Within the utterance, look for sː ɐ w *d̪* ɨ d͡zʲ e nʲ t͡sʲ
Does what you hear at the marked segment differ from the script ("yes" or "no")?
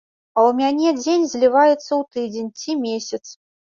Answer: yes